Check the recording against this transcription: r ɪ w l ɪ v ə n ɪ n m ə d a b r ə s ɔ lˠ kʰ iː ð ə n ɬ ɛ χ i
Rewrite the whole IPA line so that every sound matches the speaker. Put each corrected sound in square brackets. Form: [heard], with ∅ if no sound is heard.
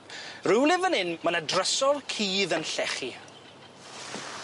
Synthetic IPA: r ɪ w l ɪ v ə n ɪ n m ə [n] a [d] r ə s ɔ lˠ kʰ iː ð ə n ɬ ɛ χ i